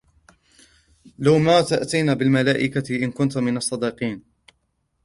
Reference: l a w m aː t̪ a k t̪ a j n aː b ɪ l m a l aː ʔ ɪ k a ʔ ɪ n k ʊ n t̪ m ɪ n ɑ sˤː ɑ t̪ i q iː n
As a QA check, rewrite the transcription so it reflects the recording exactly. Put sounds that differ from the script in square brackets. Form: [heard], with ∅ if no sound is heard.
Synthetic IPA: l a w m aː t̪ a [ʔ] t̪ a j n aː b ɪ l m a l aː ʔ ɪ k a ʔ ɪ n k ʊ n t̪ m ɪ n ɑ sˤː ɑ [d̪] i q iː n